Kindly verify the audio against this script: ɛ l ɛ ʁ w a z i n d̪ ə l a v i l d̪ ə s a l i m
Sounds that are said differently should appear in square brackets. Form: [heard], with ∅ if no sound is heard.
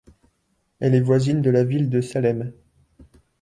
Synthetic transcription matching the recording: ɛ l ɛ [v] w a z i n d̪ ə l a v i l d̪ ə s a l [ɛ] m